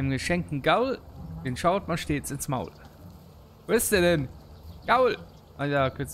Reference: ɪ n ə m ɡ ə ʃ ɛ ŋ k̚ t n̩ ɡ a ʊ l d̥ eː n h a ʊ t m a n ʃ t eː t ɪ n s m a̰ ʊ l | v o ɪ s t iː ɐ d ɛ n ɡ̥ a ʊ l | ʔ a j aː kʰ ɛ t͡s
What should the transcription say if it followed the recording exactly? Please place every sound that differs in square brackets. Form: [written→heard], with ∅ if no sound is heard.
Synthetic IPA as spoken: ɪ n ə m ɡ ə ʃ ɛ ŋ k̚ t n̩ ɡ a ʊ l d̥ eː n [h→ʃ] a ʊ t m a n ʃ t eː [t→t͡s] ɪ n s m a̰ ʊ l | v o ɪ s t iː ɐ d ɛ n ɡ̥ a ʊ l | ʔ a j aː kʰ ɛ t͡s

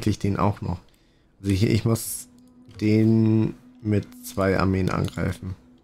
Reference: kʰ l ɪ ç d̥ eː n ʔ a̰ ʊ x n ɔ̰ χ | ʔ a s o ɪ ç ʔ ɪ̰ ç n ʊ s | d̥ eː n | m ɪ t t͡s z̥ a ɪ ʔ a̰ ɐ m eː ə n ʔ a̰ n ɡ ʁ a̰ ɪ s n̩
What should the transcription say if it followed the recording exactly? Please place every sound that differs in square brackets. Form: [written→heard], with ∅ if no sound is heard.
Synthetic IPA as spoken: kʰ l ɪ ç d̥ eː n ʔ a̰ ʊ x n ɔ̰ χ | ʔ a [s→z] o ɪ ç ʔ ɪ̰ ç [n→m] ʊ s | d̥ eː n | m ɪ t t͡s [z̥→v̥] a ɪ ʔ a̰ ɐ m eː ə n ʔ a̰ n ɡ ʁ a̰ ɪ [s→f] n̩

